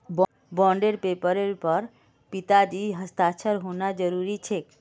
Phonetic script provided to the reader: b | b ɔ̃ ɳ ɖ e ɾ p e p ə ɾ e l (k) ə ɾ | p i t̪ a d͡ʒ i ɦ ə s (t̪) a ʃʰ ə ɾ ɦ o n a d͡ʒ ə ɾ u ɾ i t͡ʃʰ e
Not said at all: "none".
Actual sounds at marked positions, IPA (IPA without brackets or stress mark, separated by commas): p, t̪